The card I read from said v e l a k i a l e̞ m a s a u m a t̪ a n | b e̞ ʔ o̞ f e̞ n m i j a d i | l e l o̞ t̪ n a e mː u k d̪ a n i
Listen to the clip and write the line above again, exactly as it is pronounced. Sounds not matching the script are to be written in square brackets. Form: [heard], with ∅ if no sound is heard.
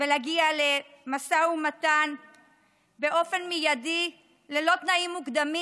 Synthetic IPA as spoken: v e l a [ɡ] i a l e̞ m a s a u m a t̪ a n | b e̞ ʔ o̞ f e̞ n m i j a d i | l e l o̞ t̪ n a [i] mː u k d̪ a [m] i